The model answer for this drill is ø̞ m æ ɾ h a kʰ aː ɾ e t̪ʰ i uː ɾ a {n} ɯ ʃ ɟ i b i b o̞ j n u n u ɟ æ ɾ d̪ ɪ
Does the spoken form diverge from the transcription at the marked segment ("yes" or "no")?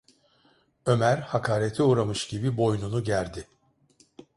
yes